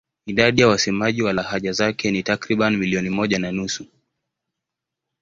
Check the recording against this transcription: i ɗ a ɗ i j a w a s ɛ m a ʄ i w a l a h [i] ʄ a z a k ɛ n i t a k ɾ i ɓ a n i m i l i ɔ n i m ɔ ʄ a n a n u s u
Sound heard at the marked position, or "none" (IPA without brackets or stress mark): a